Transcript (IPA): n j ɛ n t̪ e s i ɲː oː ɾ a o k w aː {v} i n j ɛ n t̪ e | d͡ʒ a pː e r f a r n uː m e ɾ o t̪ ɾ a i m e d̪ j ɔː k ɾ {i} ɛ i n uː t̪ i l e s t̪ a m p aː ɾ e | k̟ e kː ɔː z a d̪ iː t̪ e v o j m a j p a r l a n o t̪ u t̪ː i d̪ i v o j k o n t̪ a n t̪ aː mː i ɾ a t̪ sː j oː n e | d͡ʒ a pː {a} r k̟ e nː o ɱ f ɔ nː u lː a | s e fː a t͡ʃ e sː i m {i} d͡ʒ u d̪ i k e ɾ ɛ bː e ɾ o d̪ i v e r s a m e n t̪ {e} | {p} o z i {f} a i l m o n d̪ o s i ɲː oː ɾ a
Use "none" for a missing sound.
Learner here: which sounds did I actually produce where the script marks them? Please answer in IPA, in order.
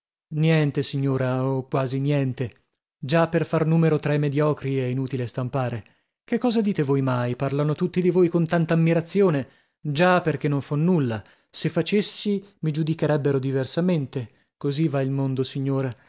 z, i, e, i, e, k, v

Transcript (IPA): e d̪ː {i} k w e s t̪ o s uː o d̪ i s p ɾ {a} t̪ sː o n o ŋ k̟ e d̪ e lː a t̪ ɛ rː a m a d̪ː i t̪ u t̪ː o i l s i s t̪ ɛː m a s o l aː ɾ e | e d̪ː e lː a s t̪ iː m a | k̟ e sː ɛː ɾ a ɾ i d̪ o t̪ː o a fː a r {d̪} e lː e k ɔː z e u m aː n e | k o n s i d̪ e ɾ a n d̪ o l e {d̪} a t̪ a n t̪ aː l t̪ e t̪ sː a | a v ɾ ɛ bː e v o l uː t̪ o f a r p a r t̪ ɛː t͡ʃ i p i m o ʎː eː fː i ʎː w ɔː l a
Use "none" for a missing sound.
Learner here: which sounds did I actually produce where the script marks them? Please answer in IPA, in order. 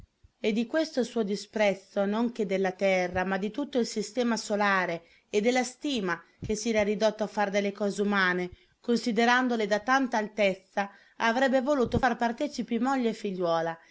i, ɛ, d̪, d̪

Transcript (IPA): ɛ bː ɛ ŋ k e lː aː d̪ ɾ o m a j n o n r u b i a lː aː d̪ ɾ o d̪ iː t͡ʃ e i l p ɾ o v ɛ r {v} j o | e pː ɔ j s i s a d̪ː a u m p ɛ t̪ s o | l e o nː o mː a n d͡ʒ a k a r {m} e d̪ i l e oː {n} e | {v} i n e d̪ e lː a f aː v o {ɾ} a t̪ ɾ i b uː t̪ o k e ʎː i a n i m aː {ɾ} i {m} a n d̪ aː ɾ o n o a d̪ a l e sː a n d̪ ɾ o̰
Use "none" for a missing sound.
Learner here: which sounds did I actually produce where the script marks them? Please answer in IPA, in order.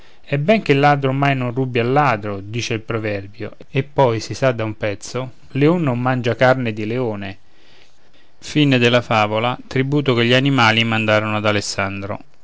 b, n, n, f, l, l, m

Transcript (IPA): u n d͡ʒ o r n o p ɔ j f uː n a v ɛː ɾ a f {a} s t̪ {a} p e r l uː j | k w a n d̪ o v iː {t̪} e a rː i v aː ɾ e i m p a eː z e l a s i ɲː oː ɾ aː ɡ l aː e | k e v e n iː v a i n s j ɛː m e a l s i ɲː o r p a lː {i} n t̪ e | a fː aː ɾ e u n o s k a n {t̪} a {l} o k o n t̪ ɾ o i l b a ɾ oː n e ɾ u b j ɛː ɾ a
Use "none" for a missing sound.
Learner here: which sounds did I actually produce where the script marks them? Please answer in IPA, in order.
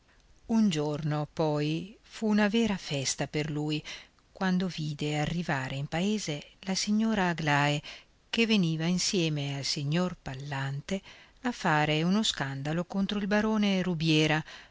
ɛ, a, d̪, a, d̪, l

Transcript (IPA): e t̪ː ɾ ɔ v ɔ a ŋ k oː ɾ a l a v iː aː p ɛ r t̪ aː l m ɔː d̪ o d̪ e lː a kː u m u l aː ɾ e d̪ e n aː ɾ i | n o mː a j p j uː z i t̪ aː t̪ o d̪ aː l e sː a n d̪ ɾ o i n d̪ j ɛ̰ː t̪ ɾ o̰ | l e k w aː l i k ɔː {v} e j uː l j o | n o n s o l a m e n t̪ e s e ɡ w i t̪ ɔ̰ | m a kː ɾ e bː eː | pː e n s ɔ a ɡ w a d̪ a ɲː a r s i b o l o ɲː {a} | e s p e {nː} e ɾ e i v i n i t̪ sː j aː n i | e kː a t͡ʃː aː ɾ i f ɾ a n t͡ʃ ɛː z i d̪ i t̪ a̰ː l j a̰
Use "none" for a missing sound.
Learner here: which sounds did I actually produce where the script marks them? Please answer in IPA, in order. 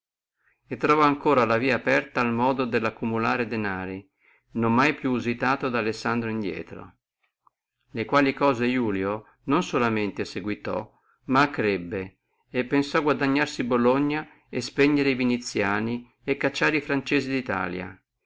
z, a, ɲː

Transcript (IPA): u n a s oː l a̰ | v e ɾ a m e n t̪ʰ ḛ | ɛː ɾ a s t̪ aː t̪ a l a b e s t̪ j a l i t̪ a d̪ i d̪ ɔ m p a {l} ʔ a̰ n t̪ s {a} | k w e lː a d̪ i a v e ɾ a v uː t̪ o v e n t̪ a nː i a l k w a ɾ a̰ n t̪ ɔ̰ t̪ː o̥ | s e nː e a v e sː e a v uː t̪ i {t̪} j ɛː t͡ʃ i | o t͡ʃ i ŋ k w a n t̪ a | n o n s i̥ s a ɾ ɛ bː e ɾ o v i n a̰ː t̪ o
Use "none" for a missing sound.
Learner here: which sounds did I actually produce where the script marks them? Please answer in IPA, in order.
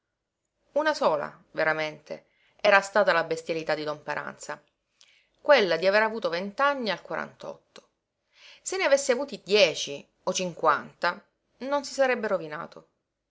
ɾ, a, d̪

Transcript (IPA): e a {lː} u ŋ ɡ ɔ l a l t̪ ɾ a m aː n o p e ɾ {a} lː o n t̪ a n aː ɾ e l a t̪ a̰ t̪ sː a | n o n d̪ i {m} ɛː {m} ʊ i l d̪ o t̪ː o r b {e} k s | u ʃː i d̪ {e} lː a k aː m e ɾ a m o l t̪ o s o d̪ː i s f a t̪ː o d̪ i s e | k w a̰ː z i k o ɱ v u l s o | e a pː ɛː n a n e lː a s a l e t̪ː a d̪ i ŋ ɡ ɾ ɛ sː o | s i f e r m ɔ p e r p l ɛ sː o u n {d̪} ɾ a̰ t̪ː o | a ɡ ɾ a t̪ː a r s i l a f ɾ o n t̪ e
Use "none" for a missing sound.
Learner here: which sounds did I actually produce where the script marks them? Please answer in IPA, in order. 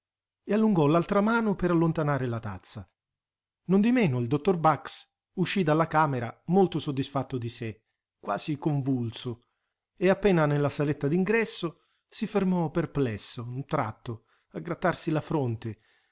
lː, a, m, n, a, a, t̪

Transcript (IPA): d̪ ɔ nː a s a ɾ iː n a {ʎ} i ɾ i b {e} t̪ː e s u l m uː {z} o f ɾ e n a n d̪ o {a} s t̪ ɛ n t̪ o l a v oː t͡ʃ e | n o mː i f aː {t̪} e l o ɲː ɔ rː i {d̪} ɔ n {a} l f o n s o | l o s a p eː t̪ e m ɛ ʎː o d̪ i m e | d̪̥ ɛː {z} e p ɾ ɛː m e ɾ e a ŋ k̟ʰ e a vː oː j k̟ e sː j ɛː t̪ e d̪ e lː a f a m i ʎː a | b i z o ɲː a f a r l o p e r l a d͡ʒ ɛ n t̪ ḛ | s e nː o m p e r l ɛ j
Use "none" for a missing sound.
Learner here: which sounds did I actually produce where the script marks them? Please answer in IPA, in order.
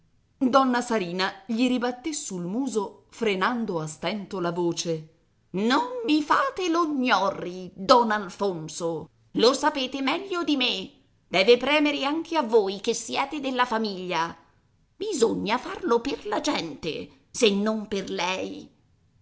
ʎ, a, z, a, t̪, d̪, a, v

